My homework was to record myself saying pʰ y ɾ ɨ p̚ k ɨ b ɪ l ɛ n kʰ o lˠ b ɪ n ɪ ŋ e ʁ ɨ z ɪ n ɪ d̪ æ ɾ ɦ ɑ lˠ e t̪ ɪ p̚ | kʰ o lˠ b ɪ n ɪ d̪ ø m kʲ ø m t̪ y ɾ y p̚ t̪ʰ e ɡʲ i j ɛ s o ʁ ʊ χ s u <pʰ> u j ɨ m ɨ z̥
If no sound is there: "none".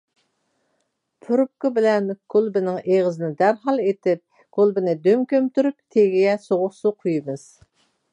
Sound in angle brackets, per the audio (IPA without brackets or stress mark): qʰ